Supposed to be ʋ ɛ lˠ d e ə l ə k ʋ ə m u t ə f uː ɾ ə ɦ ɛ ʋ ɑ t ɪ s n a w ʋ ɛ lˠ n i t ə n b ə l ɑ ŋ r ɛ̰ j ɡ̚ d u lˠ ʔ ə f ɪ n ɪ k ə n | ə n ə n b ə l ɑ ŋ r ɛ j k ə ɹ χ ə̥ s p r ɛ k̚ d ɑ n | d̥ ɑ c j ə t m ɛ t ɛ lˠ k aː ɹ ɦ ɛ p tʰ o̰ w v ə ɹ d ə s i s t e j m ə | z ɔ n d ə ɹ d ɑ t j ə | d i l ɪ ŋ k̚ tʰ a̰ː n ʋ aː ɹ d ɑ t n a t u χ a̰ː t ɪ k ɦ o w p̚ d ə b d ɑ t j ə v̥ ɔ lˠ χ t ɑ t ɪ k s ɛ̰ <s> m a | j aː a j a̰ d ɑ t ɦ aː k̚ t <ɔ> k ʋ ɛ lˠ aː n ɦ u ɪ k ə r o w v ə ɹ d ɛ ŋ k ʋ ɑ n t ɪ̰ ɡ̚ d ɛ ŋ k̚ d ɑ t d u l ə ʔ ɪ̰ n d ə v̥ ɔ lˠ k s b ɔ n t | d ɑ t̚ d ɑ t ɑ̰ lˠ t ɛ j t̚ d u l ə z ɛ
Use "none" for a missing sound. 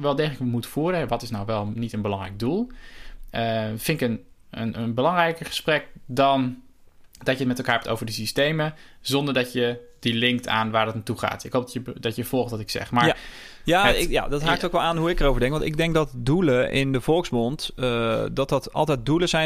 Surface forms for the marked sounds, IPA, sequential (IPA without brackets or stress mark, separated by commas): χ, o